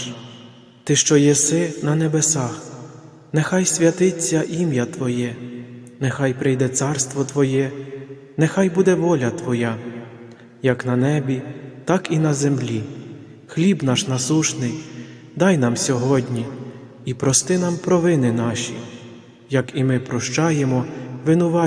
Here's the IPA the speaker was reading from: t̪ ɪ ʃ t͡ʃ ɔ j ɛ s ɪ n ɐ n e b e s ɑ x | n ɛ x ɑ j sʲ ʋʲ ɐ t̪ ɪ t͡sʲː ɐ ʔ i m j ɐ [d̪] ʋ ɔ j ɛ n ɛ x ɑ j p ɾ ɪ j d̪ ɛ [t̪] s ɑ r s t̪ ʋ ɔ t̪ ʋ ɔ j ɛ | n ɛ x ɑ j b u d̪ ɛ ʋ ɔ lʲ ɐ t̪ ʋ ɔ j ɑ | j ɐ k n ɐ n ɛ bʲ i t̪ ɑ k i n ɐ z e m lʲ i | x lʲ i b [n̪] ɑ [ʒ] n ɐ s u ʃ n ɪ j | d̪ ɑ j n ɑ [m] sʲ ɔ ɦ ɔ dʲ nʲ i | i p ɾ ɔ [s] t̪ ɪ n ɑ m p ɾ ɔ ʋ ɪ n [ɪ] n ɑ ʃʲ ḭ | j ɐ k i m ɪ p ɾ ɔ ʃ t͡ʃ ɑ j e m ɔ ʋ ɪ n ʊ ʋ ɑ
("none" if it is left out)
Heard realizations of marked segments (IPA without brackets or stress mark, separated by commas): t̪, t̪, n̪, ʃ, m, s, ɪ